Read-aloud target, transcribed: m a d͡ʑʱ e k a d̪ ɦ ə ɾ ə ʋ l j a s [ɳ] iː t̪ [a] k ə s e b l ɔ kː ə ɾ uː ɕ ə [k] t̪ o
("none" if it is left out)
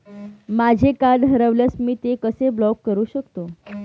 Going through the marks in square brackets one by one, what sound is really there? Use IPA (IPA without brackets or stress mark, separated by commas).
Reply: m, e, k